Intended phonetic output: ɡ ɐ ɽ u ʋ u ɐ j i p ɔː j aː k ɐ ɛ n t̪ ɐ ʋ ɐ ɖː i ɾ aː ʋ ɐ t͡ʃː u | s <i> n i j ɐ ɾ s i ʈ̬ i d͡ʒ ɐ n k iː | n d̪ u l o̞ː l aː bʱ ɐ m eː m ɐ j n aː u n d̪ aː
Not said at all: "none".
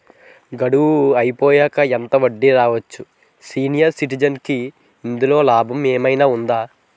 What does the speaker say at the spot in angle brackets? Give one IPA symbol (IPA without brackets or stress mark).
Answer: iː